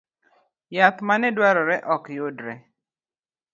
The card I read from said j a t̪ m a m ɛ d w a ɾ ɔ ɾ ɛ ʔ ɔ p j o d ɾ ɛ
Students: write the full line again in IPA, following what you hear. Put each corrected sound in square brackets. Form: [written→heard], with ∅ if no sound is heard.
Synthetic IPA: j a t̪ m a [m→n] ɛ d w a ɾ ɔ ɾ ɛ ʔ ɔ [p→k] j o d ɾ ɛ